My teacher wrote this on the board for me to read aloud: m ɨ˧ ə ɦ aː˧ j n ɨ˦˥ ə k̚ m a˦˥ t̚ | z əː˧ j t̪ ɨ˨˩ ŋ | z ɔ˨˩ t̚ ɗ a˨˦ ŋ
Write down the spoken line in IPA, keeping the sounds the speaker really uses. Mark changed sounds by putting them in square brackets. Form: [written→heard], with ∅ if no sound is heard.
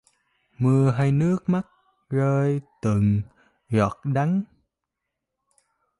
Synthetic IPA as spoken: m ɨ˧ ə ɦ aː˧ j n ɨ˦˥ ə k̚ m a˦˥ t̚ | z əː˧ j t̪ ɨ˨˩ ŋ | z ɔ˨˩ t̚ ɗ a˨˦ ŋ